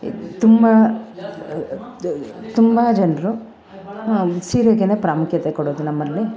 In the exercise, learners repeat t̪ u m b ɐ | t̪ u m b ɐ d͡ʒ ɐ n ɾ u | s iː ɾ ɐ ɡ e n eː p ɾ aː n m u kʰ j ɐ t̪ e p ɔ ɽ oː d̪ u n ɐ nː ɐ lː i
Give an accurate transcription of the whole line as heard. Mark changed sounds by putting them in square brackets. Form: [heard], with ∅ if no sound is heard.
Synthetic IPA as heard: t̪ u m b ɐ | t̪ u m b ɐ d͡ʒ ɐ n ɾ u | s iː ɾ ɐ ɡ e n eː p ɾ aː [∅] m u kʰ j ɐ t̪ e [k] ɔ ɽ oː d̪ u n ɐ [mː] ɐ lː i

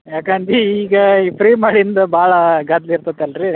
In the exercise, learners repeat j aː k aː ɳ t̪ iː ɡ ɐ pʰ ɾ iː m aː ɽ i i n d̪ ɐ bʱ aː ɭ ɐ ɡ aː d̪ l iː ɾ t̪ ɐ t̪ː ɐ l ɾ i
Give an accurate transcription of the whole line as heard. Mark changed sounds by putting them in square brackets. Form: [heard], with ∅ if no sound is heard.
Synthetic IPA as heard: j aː k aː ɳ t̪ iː ɡ ɐ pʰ ɾ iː m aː ɽ i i n d̪ ɐ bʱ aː ɭ ɐ ɡ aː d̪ l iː ɾ t̪ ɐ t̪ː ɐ l ɾ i

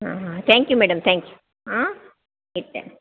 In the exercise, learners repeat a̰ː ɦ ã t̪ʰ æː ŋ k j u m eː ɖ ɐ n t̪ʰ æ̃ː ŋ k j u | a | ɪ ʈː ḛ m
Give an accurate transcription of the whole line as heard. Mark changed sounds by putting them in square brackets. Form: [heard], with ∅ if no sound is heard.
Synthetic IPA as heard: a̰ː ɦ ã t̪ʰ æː ŋ k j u m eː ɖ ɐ [m] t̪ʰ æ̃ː ŋ k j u | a | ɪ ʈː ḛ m

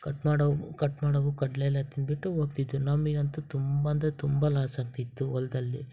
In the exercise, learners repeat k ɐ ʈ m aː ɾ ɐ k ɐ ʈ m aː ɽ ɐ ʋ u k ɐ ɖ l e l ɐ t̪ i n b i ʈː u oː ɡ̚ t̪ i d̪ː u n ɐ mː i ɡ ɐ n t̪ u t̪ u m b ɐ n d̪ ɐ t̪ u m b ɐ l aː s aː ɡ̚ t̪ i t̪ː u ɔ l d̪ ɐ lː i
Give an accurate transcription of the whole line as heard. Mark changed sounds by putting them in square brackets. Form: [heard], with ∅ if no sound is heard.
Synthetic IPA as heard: k ɐ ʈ m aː [ɽ] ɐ k ɐ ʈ m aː ɽ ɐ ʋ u k ɐ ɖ l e l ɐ t̪ i n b i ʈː u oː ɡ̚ t̪ i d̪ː u n ɐ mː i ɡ ɐ n t̪ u t̪ u m b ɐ n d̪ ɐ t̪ u m b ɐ l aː s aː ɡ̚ t̪ i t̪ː u ɔ l d̪ ɐ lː i

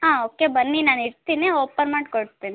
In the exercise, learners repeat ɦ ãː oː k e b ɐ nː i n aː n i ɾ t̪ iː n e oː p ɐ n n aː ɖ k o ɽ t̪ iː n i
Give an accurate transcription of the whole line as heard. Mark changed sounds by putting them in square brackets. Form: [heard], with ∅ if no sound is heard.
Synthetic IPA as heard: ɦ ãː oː k e b ɐ nː i n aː n i ɾ t̪ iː n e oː p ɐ n [m] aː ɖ k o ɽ t̪ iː n i

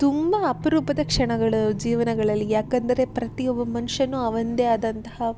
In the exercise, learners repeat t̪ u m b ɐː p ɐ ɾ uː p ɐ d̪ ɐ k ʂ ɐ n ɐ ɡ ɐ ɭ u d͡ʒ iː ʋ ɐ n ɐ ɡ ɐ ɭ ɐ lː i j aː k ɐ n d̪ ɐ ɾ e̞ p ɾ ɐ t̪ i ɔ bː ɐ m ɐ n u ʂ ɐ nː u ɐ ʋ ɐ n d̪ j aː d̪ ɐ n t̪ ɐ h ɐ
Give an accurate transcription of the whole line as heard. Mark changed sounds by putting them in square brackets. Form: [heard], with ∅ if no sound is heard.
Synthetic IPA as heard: t̪ u m b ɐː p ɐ ɾ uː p ɐ d̪ ɐ k ʂ ɐ [ɳ] ɐ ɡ ɐ ɭ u d͡ʒ iː ʋ ɐ n ɐ ɡ ɐ ɭ ɐ lː i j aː k ɐ n d̪ ɐ ɾ e̞ p ɾ ɐ t̪ i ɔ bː ɐ m ɐ n u ʂ ɐ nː u ɐ ʋ ɐ n d̪ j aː d̪ ɐ n t̪ ɐ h ɐ

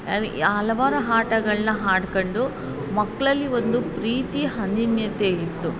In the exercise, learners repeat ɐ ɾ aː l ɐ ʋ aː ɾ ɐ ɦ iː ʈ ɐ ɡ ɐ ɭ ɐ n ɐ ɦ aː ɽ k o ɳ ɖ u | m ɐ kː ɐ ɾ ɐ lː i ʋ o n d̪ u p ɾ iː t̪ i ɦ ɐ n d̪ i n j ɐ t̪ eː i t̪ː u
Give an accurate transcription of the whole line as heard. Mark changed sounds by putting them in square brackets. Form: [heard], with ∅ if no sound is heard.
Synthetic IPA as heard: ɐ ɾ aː l ɐ ʋ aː ɾ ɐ ɦ [aː] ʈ ɐ ɡ ɐ ɭ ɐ n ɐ ɦ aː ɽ k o ɳ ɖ u | m ɐ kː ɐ [ɭ] ɐ lː i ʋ o n d̪ u p ɾ iː t̪ i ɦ ɐ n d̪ i n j ɐ t̪ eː i t̪ː u

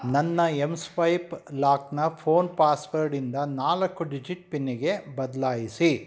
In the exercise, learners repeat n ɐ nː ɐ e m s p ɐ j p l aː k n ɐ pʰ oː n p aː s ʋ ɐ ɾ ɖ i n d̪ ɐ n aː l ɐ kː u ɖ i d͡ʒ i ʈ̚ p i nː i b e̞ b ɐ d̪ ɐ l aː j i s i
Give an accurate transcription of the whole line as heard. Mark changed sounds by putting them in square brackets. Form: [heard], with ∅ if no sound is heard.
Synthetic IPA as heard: n ɐ nː ɐ e m s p ɐ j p l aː k n ɐ pʰ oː n p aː s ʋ ɐ ɾ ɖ i n d̪ ɐ n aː l ɐ kː u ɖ i d͡ʒ i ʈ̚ p i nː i [ɡ] e̞ b ɐ d̪ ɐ l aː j i s i

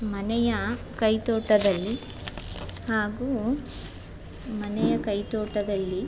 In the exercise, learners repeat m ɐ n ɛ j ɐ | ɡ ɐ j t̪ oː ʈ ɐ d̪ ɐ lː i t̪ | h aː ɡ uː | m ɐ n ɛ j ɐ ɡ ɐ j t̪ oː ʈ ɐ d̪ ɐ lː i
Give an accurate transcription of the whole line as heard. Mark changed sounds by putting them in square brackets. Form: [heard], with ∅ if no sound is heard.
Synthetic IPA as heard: m ɐ n ɛ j ɐ | [k] ɐ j t̪ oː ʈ ɐ d̪ ɐ lː i [∅] | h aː ɡ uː | m ɐ n ɛ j ɐ [k] ɐ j t̪ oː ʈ ɐ d̪ ɐ lː i

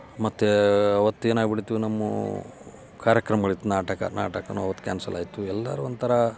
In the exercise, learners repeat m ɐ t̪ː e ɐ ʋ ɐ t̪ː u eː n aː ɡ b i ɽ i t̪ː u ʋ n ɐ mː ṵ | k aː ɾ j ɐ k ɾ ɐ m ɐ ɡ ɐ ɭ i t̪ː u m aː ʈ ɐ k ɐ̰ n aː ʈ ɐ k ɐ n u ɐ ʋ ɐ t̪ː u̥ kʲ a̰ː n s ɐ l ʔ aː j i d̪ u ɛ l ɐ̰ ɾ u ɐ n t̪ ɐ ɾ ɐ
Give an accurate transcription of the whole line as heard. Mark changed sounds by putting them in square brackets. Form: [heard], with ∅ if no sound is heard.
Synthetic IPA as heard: m ɐ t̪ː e ɐ ʋ ɐ t̪ː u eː n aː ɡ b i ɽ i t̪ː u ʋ n ɐ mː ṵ | k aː ɾ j ɐ k ɾ ɐ m ɐ ɡ ɐ ɭ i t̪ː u [n] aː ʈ ɐ k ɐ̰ n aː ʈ ɐ k ɐ n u ɐ ʋ ɐ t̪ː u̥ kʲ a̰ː n s ɐ l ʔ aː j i [t̪] u ɛ [lː] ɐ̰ ɾ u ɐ n t̪ ɐ ɾ ɐ

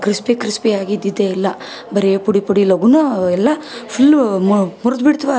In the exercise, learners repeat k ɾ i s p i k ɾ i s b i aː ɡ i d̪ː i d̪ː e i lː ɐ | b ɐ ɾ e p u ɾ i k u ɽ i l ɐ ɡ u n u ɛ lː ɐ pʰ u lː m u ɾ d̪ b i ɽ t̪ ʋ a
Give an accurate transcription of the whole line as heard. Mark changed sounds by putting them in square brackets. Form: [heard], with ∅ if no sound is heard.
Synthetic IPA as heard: k ɾ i s p i k ɾ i s [p] i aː ɡ i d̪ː i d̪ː e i lː ɐ | b ɐ ɾ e p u [ɽ] i [p] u ɽ i l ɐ ɡ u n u ɛ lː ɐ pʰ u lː m u ɾ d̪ b i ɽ t̪ ʋ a

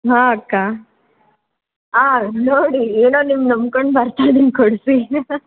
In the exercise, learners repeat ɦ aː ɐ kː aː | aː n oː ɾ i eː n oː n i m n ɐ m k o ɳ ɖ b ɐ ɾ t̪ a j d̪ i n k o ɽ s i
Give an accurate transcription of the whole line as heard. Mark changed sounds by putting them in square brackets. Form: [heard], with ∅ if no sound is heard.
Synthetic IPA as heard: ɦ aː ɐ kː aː | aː n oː [ɽ] i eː n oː n i m n ɐ m k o ɳ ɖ b ɐ ɾ t̪ a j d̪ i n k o ɽ s i

